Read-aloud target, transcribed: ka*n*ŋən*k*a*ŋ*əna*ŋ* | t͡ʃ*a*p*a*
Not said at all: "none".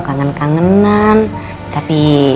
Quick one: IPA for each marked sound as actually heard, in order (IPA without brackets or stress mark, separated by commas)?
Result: none, k, ŋ, n, a, i